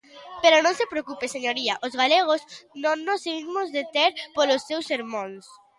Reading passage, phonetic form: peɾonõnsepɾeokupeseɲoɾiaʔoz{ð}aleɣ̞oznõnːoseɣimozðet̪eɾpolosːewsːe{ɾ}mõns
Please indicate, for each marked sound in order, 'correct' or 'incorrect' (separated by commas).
incorrect, correct